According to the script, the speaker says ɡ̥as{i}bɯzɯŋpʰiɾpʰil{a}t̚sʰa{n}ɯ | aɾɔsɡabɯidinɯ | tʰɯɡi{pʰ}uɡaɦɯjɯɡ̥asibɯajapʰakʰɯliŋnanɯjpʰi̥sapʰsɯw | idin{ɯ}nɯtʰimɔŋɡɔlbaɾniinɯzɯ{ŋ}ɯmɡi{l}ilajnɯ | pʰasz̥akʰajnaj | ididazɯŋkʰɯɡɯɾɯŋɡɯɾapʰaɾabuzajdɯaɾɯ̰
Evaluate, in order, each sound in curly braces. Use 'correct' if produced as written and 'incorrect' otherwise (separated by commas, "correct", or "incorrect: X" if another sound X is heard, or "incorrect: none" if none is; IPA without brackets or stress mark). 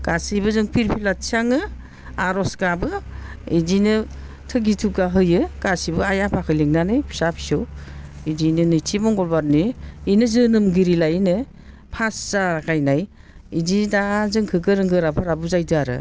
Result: correct, correct, incorrect: ŋ, incorrect: tʰ, correct, incorrect: n, incorrect: ɾ